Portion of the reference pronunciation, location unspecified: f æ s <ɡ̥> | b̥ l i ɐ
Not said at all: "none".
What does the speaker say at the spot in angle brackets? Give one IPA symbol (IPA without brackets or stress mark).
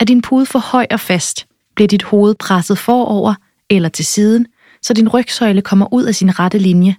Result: d̥